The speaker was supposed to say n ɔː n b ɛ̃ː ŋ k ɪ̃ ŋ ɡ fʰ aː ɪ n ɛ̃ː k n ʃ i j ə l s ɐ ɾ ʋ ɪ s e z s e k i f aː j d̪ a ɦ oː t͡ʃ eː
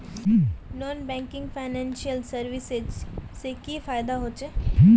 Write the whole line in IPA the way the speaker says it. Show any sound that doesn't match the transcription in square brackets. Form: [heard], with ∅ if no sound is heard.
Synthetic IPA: n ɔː n b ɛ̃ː ŋ k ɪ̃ ŋ ɡ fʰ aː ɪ n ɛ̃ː [∅] n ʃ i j ə l s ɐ ɾ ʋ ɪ s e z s e k i f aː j d̪ a ɦ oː t͡ʃ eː